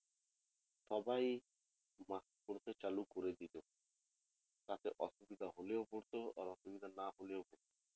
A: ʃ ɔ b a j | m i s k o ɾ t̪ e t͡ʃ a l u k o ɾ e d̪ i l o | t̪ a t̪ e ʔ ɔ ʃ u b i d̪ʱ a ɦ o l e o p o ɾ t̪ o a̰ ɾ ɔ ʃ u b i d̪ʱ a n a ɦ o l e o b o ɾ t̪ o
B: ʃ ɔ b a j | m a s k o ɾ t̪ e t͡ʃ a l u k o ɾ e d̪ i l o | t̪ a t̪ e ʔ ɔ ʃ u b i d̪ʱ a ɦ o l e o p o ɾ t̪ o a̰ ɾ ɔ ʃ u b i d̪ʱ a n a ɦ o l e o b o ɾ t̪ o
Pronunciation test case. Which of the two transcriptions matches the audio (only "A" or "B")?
B